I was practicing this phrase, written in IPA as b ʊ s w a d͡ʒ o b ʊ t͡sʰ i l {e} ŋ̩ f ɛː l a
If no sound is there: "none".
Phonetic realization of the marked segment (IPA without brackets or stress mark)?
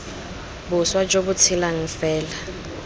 a